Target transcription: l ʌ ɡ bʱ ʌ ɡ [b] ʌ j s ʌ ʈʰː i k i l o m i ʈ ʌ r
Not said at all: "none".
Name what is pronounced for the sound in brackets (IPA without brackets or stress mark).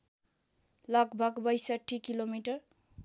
b